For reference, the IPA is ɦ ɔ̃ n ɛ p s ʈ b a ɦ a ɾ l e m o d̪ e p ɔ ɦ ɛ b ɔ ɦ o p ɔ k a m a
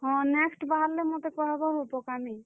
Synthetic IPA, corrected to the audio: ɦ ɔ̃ n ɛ k s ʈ b a ɦ a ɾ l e m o t̪ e k ɔ ɦ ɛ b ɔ ɦ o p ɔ k a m i